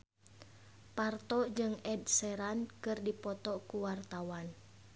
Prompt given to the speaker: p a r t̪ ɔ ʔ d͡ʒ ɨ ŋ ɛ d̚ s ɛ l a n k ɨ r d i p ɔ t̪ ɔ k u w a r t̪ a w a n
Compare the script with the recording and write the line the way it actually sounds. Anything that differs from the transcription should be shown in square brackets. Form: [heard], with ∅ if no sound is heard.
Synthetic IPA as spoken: p a r t̪ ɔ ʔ d͡ʒ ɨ ŋ ɛ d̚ s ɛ [ɾ] a n k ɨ r d i p ɔ t̪ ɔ k u w a r t̪ a w a n